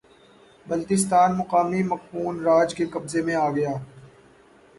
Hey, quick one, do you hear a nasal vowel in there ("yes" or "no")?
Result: yes